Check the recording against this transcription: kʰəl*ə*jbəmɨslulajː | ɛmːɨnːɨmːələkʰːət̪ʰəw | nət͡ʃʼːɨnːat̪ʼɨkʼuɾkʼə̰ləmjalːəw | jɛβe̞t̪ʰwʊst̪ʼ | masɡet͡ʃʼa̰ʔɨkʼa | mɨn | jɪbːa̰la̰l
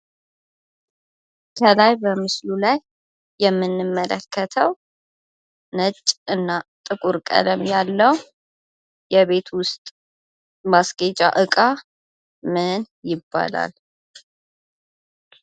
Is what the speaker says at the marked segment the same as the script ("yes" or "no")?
no